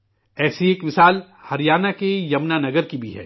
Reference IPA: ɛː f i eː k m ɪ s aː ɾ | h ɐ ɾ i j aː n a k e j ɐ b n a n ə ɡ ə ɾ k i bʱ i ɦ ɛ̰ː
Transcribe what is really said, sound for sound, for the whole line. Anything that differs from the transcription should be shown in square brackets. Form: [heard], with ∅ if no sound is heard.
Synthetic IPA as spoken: ɛː [s] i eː k m ɪ s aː [l] | h ɐ ɾ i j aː n a k e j ɐ [m] n a n [ɐ] ɡ ə ɾ k i bʱ i ɦ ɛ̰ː